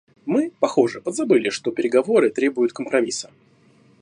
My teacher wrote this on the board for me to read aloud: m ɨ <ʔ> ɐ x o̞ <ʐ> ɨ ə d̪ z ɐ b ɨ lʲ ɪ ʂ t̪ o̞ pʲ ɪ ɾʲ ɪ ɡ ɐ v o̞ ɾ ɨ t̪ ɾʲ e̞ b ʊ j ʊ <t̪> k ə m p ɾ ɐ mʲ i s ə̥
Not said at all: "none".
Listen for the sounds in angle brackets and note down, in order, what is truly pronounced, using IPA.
p, ʐ, t̪

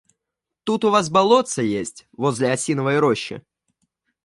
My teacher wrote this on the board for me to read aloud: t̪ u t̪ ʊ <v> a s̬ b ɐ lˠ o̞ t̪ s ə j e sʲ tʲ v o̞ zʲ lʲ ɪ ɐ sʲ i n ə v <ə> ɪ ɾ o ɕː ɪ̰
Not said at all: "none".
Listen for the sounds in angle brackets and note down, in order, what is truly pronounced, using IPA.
v, ə

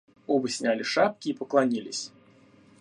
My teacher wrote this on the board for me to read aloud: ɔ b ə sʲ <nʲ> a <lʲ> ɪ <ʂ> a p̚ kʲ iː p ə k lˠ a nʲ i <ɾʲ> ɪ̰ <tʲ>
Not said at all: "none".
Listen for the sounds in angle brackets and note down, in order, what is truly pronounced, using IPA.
nʲ, lʲ, ʂ, lʲ, sʲ

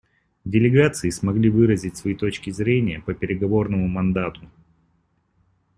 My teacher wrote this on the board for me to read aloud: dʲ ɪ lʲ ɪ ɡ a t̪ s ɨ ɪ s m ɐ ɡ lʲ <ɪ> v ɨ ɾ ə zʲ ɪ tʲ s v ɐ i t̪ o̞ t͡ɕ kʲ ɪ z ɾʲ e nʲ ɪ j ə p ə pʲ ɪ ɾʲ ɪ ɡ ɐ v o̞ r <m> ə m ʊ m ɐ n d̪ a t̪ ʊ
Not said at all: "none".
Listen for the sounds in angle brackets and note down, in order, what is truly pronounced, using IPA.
i, n

